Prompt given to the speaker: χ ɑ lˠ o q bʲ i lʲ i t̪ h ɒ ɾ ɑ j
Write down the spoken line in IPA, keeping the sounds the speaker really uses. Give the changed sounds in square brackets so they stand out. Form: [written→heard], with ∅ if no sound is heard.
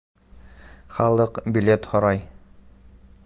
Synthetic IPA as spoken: χ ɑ lˠ [o→ɤ] q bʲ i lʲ [i→e] t̪ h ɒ ɾ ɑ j